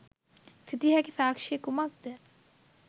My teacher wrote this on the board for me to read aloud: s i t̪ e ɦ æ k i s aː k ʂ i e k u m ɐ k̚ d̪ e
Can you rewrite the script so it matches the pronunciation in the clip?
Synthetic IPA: s i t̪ i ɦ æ k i s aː k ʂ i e k u m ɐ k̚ d̪ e